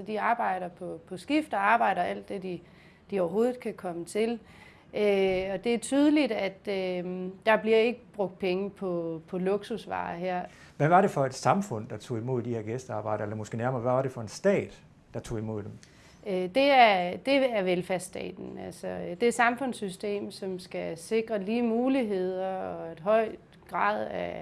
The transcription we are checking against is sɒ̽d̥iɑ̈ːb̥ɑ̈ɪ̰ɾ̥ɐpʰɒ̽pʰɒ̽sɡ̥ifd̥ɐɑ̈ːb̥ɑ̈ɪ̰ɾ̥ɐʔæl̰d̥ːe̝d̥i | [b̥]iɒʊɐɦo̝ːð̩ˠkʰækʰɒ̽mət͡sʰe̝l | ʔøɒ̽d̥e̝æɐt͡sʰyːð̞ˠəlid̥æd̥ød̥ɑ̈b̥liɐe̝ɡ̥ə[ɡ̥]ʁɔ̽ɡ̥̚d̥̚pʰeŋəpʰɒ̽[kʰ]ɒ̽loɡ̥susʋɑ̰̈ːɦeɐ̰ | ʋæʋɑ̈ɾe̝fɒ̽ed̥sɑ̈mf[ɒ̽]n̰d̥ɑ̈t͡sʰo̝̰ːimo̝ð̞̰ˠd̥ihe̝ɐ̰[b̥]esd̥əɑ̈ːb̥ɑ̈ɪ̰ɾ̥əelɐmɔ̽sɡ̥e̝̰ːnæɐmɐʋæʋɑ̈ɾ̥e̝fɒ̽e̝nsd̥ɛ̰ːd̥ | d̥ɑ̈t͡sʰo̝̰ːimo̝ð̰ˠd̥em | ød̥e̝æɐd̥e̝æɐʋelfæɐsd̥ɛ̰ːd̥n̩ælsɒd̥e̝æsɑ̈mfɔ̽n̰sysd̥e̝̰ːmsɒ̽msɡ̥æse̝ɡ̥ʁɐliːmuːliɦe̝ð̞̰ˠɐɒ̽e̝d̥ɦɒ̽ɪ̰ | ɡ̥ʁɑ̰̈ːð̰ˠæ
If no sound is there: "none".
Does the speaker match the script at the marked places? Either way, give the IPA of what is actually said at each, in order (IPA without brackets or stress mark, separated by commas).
d̥, b̥, pʰ, ɔ̽, ɡ̥